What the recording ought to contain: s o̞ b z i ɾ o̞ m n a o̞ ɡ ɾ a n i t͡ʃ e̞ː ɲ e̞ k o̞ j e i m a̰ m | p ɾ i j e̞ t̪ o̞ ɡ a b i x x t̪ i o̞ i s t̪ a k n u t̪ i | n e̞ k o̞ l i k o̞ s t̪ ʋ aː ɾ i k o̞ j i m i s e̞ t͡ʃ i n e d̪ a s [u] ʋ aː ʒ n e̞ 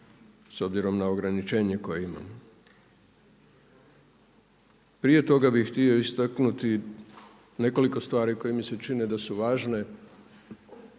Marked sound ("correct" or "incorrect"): correct